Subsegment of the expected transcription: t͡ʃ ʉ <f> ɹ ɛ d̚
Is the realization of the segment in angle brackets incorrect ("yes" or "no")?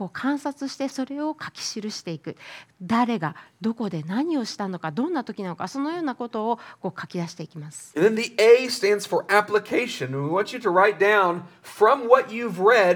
yes